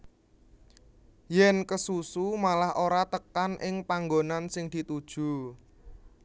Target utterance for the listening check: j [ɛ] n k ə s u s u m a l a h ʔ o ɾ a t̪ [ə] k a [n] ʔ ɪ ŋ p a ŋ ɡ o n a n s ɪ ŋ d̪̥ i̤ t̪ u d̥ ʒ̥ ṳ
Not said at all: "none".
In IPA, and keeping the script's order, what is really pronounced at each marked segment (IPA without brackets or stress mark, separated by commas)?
ɛ, ə, n